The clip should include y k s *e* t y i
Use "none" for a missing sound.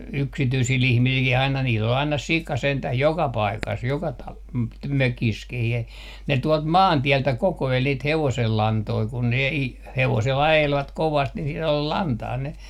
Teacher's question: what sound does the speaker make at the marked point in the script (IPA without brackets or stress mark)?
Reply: i